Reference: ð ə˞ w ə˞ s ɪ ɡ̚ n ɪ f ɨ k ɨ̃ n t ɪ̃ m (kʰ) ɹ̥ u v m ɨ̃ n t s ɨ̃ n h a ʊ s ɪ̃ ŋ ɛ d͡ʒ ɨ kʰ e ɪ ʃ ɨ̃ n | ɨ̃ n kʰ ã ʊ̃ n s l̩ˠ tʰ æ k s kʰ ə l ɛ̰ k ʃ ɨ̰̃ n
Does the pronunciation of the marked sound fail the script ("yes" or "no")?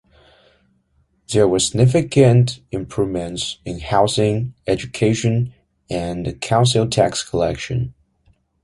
yes